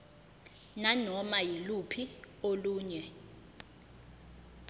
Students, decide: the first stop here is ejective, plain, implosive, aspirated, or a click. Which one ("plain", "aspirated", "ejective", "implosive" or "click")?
aspirated